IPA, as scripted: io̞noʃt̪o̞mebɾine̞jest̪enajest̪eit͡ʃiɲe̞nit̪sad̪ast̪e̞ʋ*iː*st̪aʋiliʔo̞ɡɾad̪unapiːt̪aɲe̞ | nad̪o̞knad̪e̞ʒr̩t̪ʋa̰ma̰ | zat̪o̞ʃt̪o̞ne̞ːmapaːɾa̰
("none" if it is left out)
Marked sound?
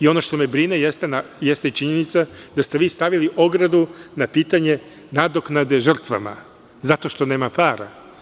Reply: iː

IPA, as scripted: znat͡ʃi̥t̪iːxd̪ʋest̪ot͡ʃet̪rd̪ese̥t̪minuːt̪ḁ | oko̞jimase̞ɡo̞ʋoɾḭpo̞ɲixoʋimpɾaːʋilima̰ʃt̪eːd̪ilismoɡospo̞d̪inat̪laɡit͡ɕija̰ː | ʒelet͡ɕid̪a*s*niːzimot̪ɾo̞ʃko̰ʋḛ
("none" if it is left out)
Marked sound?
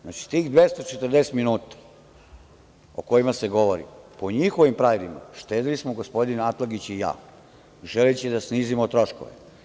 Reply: s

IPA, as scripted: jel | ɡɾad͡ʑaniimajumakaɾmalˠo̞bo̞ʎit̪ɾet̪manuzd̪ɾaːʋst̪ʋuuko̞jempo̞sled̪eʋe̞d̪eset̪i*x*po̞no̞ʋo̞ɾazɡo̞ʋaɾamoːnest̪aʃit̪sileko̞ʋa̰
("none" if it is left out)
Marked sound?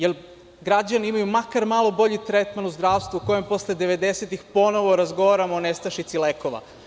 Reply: x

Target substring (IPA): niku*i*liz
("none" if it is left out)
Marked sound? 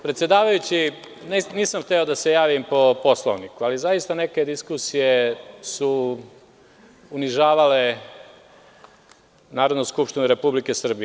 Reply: a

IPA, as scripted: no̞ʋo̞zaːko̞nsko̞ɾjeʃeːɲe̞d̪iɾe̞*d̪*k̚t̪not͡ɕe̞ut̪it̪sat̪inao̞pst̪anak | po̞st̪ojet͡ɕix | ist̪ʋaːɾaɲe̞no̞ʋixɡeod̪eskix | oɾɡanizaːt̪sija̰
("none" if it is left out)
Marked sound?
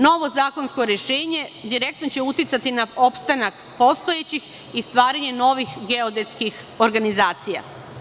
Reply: none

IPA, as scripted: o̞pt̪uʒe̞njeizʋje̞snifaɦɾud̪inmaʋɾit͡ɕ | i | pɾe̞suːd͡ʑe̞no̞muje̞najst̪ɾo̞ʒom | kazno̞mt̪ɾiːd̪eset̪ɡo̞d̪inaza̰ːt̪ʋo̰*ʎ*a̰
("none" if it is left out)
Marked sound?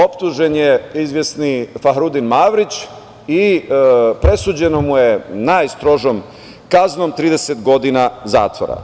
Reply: ɾ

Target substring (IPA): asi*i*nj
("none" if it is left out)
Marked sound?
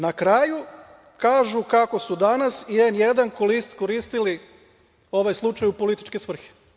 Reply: e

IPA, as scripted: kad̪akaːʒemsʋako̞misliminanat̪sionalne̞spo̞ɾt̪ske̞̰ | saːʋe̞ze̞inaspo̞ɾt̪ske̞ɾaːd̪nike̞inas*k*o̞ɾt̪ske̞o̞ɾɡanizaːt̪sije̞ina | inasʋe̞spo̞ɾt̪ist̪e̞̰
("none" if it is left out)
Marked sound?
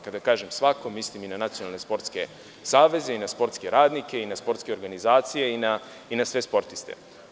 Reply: p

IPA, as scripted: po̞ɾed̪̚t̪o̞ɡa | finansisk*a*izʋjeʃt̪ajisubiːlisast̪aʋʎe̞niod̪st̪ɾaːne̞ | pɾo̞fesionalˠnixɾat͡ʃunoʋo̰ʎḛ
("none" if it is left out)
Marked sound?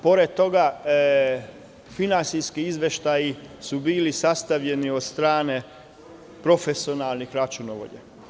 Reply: i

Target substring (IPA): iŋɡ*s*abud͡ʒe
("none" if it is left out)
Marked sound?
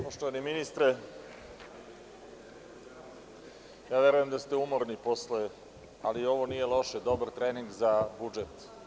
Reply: z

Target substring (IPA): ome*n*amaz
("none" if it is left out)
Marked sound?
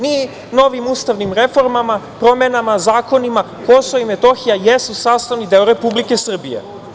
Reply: n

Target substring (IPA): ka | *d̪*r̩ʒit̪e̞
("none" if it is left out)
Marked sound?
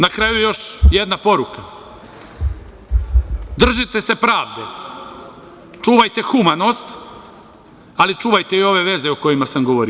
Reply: d̪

